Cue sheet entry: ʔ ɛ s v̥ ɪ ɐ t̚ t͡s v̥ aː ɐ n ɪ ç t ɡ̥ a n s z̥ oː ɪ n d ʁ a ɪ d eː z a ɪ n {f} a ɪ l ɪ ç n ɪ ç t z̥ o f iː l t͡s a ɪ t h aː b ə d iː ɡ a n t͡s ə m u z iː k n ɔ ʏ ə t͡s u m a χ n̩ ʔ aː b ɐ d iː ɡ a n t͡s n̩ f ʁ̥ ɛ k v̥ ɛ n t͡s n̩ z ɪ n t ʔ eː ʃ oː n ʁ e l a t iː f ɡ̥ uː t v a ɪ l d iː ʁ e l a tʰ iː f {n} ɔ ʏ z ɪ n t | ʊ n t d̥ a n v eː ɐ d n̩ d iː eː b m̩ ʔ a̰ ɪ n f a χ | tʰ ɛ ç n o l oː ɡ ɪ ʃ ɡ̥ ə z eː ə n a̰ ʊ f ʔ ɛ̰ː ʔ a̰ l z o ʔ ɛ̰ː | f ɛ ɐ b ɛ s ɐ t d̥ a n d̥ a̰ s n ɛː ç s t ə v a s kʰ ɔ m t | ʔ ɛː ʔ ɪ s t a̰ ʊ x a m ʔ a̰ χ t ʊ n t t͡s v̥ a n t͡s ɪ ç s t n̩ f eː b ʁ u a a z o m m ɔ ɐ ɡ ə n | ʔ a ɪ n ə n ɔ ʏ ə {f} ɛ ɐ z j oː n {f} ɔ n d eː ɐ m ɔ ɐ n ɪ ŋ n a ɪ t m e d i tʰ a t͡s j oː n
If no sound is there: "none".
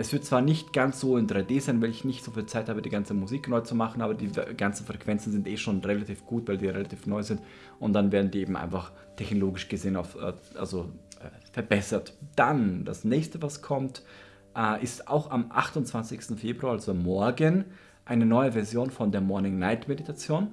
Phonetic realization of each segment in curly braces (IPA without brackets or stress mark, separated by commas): v, n, v, f